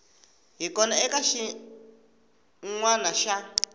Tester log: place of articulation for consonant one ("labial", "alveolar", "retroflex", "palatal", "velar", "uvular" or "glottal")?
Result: glottal